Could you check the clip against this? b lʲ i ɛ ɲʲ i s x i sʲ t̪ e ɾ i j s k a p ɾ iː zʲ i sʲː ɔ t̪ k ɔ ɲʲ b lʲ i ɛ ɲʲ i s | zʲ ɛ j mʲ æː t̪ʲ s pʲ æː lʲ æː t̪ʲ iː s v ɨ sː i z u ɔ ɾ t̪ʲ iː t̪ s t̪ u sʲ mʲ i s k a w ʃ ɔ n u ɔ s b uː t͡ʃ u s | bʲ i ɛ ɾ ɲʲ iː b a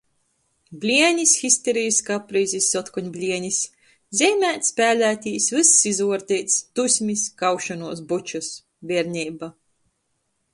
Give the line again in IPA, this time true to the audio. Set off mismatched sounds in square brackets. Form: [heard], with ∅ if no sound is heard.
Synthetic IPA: b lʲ i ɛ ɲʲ i s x i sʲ t̪ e ɾ i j s k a p ɾ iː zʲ i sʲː ɔ t̪ k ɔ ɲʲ b lʲ i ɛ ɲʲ i s | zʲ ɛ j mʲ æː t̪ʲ s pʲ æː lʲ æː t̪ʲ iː s v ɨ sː i z u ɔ ɾ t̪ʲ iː t̪ s t̪ u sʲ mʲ i s k a w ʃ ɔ n u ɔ s b [u] t͡ʃ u s | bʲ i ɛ ɾ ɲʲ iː b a